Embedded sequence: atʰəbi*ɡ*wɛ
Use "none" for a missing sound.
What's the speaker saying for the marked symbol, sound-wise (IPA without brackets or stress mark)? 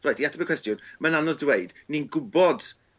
k